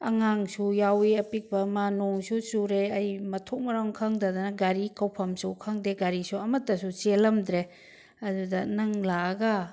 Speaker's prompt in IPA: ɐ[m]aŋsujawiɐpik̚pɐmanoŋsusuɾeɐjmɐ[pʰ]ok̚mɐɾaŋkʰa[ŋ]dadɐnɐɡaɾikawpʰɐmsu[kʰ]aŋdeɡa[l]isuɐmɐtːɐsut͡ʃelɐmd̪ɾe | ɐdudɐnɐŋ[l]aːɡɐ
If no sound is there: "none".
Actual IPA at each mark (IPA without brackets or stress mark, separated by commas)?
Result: ŋ, tʰ, ŋ, kʰ, ɾ, l